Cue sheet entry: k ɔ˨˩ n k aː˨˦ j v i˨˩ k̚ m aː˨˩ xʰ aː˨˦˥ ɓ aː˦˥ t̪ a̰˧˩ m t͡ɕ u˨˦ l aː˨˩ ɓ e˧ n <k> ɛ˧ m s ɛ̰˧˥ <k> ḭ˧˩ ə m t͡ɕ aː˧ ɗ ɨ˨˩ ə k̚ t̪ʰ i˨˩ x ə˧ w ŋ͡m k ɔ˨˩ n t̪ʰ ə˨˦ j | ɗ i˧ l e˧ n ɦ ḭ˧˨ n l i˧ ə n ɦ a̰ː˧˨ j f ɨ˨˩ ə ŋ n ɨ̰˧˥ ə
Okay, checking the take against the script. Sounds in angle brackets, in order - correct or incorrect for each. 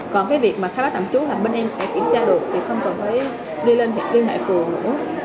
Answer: incorrect, correct

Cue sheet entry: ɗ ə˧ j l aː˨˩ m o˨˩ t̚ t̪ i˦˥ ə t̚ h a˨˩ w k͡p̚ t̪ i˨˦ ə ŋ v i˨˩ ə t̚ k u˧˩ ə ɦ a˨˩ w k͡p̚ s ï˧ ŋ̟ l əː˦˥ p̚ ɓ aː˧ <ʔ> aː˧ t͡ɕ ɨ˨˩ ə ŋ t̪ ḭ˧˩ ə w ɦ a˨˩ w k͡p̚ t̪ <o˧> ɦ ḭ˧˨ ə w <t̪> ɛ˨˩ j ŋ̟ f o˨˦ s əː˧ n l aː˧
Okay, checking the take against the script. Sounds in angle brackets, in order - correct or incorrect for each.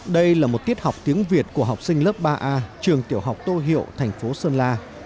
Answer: correct, correct, incorrect

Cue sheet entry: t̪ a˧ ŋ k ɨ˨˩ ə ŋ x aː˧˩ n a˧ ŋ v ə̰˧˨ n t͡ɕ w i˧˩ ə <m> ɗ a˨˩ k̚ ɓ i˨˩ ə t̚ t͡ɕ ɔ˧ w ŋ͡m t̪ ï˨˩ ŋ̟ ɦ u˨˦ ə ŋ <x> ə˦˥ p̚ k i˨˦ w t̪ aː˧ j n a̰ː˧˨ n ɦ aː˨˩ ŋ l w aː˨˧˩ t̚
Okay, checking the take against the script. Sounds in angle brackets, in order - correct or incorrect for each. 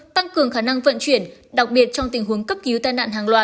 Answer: incorrect, incorrect

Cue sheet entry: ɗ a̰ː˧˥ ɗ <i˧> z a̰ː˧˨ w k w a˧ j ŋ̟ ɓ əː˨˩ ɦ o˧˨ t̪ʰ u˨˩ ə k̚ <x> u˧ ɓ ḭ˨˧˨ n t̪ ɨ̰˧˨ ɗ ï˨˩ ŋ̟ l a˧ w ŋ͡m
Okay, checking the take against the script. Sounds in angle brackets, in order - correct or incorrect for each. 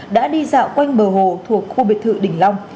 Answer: correct, correct

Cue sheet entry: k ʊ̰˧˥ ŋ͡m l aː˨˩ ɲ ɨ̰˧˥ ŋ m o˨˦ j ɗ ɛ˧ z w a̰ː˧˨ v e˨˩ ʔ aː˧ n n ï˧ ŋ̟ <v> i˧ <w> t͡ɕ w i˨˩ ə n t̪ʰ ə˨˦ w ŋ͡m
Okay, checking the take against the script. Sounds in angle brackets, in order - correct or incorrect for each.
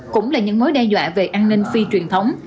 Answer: incorrect, incorrect

